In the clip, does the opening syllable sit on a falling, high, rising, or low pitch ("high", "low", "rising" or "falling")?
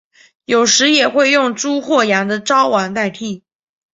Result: low